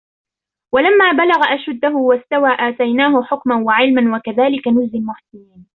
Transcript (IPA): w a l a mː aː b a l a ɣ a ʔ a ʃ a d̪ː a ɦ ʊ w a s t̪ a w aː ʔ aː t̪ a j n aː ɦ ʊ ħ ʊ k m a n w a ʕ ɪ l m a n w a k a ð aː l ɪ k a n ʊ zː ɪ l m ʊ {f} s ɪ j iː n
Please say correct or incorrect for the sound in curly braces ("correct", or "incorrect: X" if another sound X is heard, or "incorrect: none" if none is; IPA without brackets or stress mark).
incorrect: ħ